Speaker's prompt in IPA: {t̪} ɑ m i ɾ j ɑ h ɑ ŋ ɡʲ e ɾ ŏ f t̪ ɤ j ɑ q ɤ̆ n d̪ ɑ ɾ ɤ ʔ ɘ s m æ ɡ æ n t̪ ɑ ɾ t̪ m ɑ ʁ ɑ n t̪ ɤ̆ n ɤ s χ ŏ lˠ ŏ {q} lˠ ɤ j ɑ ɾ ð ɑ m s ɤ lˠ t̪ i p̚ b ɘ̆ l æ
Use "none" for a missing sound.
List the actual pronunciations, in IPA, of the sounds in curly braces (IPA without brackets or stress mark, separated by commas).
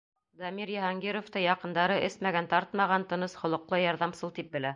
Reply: d̪, q